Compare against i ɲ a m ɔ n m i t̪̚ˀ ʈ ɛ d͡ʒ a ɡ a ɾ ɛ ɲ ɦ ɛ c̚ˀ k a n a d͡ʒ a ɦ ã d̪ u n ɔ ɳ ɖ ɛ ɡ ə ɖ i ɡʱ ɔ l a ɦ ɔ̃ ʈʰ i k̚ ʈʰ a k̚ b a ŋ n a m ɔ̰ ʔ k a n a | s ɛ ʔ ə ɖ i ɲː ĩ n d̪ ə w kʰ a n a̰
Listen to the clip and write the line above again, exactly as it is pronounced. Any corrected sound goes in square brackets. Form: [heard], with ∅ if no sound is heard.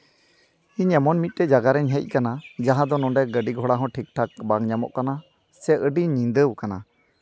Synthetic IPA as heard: i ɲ [ɛ] m ɔ n m i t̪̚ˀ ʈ ɛ d͡ʒ a ɡ a ɾ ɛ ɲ ɦ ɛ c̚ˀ k a n a d͡ʒ a ɦ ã d̪ [ɔ] n ɔ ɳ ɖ ɛ ɡ ə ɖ i ɡʱ ɔ [ɽ] a ɦ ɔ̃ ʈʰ i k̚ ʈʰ a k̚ b a ŋ [ɲ] a m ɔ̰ ʔ k a n a | s ɛ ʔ ə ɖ i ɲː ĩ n d̪ ə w [k] a n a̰